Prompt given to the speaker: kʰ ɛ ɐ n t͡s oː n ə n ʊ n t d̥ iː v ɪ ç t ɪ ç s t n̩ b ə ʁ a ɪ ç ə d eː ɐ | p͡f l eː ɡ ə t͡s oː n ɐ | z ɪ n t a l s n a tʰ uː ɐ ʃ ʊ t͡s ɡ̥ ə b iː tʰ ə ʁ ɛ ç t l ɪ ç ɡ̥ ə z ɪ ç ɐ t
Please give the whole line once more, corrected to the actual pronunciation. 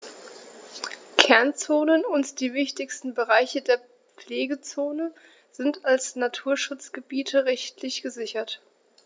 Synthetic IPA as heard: kʰ ɛ ɐ n t͡s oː n ə n ʊ n t d̥ iː v ɪ ç t ɪ ç s t n̩ b ə ʁ a ɪ ç ə d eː ɐ | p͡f l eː ɡ ə t͡s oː n ə | z ɪ n t a l s n a tʰ uː ɐ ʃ ʊ t͡s ɡ̥ ə b iː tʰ ə ʁ ɛ ç t l ɪ ç ɡ̥ ə z ɪ ç ɐ t